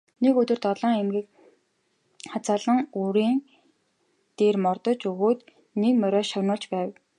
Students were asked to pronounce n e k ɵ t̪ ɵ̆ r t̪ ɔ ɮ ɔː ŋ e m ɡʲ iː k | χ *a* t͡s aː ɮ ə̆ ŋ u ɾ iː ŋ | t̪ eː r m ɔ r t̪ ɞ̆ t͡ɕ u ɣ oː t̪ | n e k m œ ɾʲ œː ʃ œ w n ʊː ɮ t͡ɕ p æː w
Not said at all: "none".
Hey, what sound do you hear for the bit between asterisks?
a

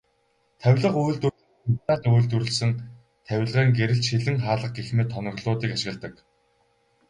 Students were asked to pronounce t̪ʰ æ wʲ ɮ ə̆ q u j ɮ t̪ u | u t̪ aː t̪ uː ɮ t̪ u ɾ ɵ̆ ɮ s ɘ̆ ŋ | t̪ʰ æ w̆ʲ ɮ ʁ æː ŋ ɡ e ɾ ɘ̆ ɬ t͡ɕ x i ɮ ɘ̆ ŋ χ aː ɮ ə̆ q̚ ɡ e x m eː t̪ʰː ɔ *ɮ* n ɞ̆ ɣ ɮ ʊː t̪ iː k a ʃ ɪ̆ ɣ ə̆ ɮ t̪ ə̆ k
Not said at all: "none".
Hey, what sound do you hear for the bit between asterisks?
none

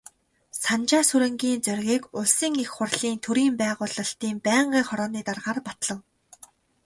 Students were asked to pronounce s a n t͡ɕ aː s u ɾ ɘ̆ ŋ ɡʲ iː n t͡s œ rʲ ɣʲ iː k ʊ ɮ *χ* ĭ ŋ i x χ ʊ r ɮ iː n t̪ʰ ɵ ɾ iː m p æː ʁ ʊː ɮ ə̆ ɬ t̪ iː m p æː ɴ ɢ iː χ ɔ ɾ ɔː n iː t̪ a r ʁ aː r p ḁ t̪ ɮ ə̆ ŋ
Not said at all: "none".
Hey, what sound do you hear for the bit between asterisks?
s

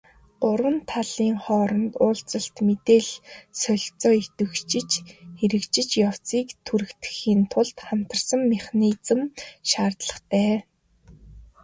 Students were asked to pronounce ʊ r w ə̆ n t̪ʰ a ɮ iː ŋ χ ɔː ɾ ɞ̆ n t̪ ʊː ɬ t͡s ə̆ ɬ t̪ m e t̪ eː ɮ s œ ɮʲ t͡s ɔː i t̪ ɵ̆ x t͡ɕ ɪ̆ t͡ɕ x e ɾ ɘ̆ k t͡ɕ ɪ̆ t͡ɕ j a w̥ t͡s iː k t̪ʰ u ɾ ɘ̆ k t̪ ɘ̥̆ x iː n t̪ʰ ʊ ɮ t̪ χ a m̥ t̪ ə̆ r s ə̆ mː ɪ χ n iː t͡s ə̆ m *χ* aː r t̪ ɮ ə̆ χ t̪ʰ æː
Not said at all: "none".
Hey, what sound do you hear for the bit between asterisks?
ʃ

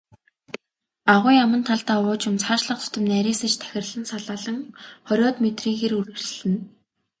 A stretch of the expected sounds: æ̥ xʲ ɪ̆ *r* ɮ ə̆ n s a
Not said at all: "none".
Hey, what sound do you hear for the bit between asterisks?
r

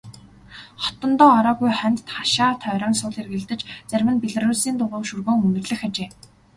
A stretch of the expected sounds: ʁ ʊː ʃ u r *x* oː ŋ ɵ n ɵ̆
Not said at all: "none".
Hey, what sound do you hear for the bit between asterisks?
ɣ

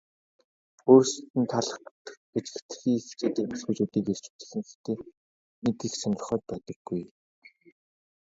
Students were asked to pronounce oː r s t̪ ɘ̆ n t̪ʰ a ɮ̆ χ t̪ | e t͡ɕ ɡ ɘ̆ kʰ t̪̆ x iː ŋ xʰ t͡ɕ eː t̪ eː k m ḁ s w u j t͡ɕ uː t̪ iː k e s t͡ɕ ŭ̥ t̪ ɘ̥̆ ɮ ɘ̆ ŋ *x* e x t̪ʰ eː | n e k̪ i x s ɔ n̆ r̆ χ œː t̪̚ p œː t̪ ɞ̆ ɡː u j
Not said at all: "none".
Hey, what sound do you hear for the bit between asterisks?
x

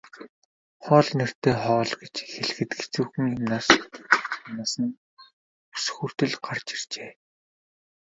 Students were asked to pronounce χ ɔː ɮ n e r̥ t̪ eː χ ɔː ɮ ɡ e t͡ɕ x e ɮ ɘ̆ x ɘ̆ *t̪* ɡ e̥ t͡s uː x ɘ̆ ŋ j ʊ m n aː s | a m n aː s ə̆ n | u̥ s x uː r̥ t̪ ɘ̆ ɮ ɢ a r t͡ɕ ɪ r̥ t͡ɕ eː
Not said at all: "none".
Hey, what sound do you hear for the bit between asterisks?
t̪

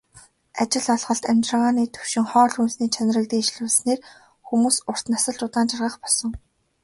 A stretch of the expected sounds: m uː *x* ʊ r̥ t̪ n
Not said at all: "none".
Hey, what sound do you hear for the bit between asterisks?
s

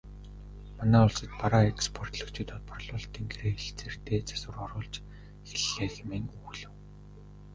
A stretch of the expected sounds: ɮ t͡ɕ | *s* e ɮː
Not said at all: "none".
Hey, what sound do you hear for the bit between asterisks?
x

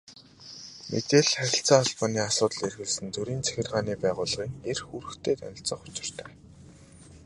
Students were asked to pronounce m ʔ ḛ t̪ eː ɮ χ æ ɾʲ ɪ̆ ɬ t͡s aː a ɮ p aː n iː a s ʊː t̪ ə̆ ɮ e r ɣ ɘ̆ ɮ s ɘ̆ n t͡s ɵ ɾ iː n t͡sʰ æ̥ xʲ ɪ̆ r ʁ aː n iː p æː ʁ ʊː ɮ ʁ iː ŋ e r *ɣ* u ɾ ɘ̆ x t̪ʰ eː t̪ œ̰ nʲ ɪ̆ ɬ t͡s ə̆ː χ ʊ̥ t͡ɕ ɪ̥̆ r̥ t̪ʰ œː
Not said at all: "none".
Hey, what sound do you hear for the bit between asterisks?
x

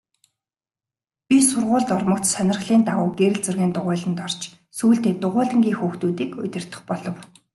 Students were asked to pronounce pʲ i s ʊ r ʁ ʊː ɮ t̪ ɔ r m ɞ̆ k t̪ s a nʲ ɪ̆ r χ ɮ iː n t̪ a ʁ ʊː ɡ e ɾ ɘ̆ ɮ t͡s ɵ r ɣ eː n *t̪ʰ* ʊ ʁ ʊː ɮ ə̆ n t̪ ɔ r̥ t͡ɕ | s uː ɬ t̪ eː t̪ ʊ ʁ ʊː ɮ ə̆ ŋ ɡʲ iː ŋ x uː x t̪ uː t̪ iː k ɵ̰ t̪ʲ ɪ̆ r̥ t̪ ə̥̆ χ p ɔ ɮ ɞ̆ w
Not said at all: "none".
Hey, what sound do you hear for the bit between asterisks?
t̪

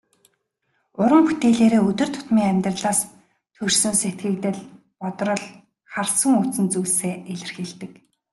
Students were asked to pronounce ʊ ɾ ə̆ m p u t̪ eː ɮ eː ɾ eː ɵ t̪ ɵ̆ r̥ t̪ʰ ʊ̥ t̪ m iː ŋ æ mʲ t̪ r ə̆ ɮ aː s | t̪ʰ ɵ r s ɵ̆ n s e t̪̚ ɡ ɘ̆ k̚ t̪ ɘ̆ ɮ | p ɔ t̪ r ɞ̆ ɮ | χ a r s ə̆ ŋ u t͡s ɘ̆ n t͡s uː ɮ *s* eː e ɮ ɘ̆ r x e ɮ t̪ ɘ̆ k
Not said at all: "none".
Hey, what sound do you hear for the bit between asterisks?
s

